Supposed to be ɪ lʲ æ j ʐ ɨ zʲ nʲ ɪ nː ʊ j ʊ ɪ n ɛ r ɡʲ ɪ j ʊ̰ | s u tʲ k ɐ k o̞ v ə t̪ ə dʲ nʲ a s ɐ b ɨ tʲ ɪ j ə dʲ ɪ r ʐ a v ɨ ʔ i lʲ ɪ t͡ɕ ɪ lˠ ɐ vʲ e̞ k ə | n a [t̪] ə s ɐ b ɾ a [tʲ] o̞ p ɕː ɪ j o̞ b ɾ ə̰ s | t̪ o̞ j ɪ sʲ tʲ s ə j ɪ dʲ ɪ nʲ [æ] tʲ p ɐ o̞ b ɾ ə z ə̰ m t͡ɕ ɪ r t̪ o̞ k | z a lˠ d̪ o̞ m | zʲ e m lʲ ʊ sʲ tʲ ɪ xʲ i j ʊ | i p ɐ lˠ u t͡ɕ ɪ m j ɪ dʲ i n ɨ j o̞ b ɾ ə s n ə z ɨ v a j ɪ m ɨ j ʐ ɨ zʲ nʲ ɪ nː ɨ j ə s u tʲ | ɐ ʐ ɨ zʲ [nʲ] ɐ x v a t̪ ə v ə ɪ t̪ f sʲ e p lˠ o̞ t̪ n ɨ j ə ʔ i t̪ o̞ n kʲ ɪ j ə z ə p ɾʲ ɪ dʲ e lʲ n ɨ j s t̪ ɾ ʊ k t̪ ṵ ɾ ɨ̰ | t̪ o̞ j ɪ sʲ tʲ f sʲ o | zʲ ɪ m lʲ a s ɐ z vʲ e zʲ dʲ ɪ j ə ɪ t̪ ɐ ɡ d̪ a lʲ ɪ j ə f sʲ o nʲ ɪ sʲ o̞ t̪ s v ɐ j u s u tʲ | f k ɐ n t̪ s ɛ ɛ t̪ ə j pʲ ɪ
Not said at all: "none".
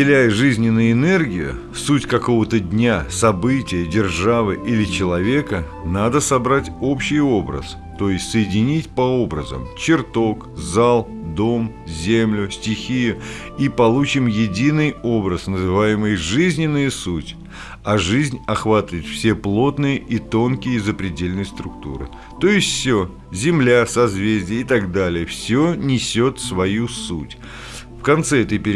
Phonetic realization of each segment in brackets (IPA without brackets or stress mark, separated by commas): d̪, tʲ, i, nʲ